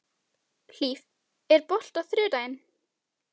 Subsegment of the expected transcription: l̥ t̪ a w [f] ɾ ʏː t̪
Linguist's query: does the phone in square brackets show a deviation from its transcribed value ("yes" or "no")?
yes